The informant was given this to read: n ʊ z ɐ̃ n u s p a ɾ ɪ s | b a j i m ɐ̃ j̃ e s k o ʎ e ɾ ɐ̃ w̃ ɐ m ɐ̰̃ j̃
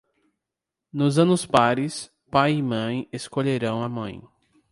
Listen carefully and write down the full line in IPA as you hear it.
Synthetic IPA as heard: n ʊ z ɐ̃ n ʊ s p a ɾ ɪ s | p a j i m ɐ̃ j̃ e s k o ʎ e ɾ ɐ̃ w̃ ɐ m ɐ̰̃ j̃